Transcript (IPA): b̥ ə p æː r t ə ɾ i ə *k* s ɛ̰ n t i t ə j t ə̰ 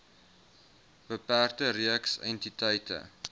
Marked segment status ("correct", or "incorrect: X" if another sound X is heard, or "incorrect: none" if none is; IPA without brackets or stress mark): correct